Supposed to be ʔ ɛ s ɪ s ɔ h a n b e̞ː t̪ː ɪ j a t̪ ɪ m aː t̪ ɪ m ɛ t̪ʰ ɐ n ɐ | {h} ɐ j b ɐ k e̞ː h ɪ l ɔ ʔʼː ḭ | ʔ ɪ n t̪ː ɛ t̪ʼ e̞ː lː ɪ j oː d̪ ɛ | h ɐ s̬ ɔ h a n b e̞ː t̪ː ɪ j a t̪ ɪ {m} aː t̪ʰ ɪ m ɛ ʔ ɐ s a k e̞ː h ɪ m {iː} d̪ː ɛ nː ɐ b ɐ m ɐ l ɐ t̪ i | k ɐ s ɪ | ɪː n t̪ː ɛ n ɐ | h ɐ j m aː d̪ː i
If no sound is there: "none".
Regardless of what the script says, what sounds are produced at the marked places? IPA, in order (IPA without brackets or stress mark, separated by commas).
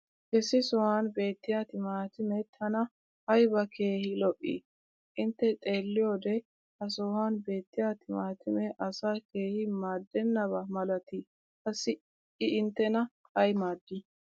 h, m, aː